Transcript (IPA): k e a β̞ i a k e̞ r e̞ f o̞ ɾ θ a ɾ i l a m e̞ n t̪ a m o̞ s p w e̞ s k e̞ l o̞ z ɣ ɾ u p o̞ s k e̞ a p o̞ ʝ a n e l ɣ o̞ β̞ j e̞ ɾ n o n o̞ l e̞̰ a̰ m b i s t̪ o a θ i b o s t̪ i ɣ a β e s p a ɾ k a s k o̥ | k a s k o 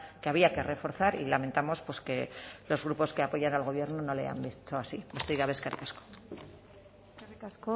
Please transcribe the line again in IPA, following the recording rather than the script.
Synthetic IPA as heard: k e a β̞ i a k e̞ r e̞ f o̞ ɾ θ a ɾ i l a m e̞ n t̪ a m o̞ s p w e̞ s k e̞ l o̞ z ɣ ɾ u p o̞ s k e̞ a p o̞ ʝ a n a l ɣ o̞ β̞ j e̞ ɾ n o n o̞ l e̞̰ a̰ m b i s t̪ o a s i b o s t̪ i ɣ a β e s k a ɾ k a s k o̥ | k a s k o